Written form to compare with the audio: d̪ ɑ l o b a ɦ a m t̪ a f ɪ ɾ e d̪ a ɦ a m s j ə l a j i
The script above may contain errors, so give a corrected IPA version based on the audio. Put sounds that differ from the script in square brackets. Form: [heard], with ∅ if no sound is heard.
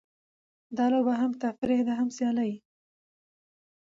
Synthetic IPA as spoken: d̪ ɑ l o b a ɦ a m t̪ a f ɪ ɾ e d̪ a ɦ a m s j [ɑ] l a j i